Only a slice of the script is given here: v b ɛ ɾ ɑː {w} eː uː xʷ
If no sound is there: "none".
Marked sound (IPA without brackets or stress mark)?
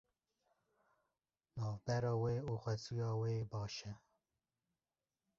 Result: w